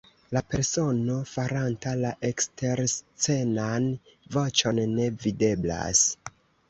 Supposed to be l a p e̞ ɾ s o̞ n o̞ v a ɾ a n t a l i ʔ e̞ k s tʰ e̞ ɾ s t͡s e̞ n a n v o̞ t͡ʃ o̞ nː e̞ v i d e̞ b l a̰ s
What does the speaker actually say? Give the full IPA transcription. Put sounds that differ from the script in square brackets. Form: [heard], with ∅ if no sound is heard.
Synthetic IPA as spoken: l a p e̞ ɾ s o̞ n o̞ [f] a ɾ a n t a l [a] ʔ e̞ k s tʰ e̞ ɾ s t͡s e̞ n a n v o̞ t͡ʃ o̞ nː e̞ v i d e̞ b l a̰ s